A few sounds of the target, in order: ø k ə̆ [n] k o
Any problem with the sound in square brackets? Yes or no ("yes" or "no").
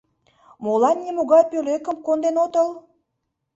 yes